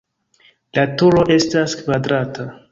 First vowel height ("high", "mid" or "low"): low